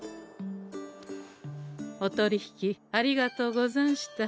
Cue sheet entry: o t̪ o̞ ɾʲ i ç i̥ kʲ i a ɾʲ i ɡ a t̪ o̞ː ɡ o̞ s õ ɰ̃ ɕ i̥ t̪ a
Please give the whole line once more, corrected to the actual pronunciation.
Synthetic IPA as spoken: o t̪ o̞ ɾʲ i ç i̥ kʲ i a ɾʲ i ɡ a t̪ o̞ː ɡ o̞ z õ ɰ̃ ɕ i̥ t̪ a

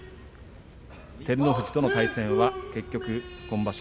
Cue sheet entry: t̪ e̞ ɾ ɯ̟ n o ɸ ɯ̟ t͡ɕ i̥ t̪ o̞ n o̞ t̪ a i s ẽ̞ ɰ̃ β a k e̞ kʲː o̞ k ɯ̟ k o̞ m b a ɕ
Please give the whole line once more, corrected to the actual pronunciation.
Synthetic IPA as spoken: t̪ e̞ ɾ ɯ̟ n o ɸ ɯ̟ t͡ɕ i̥ t̪ o̞ n o̞ t̪ a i s ẽ̞ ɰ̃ β a k e̞ kʲː o̞ k ɯ̟ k õ̞ m b a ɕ

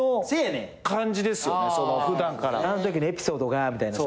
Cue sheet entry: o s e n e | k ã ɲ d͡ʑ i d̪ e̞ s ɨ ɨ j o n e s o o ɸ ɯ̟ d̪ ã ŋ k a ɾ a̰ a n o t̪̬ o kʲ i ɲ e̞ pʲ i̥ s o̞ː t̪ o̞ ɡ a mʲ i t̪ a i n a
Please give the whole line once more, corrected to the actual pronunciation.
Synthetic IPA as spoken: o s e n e | k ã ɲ d͡ʑ i d̪ e̞ s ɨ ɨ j o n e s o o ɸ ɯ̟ d̪ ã ŋ k a ɾ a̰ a n o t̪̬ o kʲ i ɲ e̞ pʲ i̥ s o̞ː d̪ o̞ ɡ a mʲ i t̪ a i n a

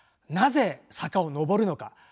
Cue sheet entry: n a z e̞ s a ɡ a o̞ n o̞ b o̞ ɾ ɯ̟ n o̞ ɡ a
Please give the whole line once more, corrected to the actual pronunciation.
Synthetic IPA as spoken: n a z e̞ s a k a o̞ n o̞ b o̞ ɾ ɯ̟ n o̞ k a

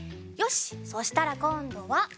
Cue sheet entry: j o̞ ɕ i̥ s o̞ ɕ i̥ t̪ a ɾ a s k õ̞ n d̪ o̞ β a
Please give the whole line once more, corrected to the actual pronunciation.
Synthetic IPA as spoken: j o̞ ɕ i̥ s o̞ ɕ i̥ t̪ a ɾ a k õ̞ n d̪ o̞ β a

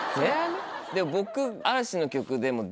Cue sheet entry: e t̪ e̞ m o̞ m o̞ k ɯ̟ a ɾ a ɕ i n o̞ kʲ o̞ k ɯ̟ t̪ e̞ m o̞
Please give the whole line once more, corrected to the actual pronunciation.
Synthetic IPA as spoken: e d̪ e̞ m o̞ b o̞ k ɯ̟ a ɾ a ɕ i n o̞ kʲ o̞ k ɯ̟ d̪ e̞ m o̞

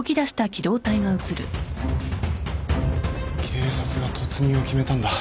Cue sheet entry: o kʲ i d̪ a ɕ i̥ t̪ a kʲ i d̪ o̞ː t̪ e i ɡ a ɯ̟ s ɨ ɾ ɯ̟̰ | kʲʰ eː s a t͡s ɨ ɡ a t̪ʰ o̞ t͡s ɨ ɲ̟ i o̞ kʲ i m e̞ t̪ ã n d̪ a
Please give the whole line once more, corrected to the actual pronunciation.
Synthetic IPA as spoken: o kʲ i d̪ a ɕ i̥ t̪ a kʲ i d̪ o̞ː t̪ a i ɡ a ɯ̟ t͡s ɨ ɾ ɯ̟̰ | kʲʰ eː s a t͡s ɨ ɡ a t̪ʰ o̞ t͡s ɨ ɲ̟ i o̞ kʲ i m e̞ t̪ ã n d̪ a

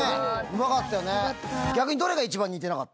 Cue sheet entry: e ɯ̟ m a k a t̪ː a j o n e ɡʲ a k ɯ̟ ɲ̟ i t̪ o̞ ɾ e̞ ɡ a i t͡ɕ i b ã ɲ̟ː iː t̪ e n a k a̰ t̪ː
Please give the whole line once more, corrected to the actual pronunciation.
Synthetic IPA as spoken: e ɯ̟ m a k a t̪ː a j o n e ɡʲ a k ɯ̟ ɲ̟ i d̪ o̞ ɾ e̞ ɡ a i t͡ɕ i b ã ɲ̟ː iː t̪ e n a k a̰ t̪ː

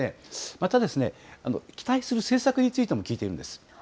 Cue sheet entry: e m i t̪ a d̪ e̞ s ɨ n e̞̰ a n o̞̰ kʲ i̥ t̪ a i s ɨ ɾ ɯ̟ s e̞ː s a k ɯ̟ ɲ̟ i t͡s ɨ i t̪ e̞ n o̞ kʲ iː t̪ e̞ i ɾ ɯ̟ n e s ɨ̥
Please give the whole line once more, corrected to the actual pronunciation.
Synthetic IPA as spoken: e m a t̪ a d̪ e̞ s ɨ n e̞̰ a n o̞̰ kʲ i̥ t̪ a i s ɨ ɾ ɯ̟ s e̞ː s a k ɯ̟ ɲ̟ i t͡s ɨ i t̪ e̞ m o̞ kʲ iː t̪ e̞ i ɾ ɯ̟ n e s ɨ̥

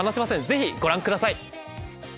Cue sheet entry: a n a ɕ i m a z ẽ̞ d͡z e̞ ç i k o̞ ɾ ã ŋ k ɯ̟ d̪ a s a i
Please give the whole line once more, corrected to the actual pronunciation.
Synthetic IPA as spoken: a n a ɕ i m a s ẽ̞ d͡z e̞ ç i ɡ o̞ ɾ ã ŋ k ɯ̟ d̪ a s a i

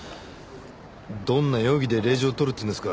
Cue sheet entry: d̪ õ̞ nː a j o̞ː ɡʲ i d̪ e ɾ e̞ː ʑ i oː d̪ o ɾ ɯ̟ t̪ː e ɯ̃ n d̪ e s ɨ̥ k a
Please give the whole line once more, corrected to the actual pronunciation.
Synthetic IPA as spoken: d̪ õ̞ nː a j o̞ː ɡʲ i d̪ e ɾ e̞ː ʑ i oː t̪ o ɾ ɯ̟ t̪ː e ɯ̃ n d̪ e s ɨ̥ k a

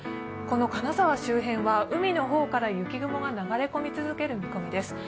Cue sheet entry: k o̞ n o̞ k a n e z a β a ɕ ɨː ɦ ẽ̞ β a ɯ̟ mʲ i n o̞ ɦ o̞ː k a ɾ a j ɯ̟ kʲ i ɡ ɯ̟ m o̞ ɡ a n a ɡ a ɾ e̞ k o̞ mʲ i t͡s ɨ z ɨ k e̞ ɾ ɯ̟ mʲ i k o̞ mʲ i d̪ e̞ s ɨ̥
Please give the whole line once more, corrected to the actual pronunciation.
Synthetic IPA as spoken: k o̞ n o̞ k a n a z a β a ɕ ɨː ɦ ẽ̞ β a ɯ̟ mʲ i n o̞ ɦ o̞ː k a ɾ a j ɯ̟ kʲ i ɡ ɯ̟ m o̞ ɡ a n a ɡ a ɾ e̞ k o̞ mʲ i t͡s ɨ z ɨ k e̞ ɾ ɯ̟ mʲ i k o̞ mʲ i d̪ e̞ s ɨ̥

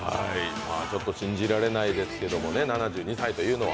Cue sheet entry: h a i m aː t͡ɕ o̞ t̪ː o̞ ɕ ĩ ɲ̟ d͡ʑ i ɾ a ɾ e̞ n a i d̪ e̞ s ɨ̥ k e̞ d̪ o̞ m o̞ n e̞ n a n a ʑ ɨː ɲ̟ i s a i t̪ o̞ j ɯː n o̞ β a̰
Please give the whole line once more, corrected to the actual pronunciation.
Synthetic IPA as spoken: h a i m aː t͡ɕ o̞ t̪ː o̞ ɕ ĩ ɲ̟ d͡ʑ i ɾ a ɾ e̞ n a i d̪ e̞ s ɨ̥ k e̞ d̪ o̞ m o̞ n e̞ n a n a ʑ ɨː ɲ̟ i s a i t̪ o̞ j ɯː n o̞ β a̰

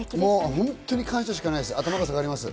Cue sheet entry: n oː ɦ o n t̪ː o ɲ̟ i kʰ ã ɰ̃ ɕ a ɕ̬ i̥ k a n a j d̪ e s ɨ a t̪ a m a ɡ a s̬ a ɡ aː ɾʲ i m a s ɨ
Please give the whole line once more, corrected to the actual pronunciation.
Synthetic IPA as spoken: m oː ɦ õ n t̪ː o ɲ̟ i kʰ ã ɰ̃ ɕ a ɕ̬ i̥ k a n a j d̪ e s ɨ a t̪ a m a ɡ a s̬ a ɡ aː ɾʲ i m a s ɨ

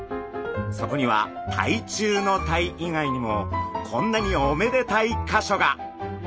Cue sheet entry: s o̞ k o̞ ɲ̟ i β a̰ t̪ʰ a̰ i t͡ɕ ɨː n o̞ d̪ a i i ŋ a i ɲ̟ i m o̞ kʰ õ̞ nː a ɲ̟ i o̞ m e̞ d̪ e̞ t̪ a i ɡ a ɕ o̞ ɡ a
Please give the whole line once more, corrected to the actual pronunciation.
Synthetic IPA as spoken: s o̞ k o̞ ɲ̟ i β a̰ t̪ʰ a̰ i t͡ɕ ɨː n o̞ t̪ a i i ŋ a i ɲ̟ i m o̞ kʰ õ̞ nː a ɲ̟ i o̞ m e̞ d̪ e̞ t̪ a i k a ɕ o̞ ɡ a

